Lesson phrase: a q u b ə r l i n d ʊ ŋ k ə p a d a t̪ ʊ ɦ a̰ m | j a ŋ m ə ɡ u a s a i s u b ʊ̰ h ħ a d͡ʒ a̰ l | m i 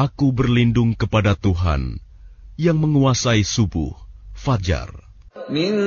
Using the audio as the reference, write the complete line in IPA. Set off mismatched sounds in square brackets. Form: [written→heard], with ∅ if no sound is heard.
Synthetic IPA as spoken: a [q→k] u b ə r l i n d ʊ ŋ k ə p a d a t̪ [ʊ→u] ɦ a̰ [m→n] | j a ŋ m ə [ɡ→ŋ] u a s a i s u b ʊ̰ h [ħ→f] a d͡ʒ a̰ [l→r] | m i